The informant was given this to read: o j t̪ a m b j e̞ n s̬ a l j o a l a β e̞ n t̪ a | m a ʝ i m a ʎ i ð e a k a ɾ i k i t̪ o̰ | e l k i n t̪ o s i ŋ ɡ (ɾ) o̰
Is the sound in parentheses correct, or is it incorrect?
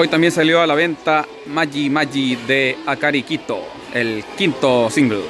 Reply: incorrect